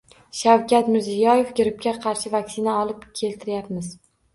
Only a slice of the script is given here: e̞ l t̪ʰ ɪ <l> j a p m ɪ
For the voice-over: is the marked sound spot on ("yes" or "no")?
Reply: no